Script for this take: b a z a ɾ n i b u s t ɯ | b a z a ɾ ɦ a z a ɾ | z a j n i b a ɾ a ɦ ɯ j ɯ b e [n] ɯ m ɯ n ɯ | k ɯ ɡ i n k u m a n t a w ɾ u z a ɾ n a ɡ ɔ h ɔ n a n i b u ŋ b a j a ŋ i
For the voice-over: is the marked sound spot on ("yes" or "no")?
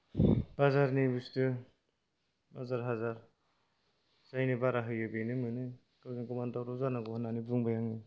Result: yes